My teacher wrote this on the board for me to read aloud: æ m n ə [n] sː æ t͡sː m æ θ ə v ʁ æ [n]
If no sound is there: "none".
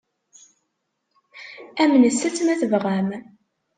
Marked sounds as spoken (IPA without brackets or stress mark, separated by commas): none, m